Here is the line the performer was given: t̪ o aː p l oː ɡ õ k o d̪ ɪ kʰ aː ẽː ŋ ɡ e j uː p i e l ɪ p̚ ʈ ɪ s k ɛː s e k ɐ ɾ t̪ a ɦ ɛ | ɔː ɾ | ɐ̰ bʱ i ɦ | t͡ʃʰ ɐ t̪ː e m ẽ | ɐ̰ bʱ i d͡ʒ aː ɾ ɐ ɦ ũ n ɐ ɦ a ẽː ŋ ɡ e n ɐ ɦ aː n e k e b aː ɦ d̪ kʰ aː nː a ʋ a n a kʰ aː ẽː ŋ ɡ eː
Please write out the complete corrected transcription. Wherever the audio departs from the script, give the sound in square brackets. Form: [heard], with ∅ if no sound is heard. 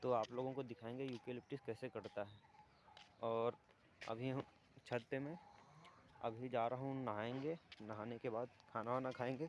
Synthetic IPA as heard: t̪ o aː p l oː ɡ õ k o d̪ ɪ kʰ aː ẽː ŋ ɡ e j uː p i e l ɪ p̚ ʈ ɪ s k ɛː s e k ɐ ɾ t̪ a ɦ ɛ | ɔː ɾ | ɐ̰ bʱ i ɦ | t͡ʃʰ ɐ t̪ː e m ẽ | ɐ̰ bʱ i d͡ʒ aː ɾ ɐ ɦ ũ n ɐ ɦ a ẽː ŋ ɡ e n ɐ ɦ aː n e k e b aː [∅] d̪ kʰ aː [n] a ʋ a n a kʰ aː ẽː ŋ ɡ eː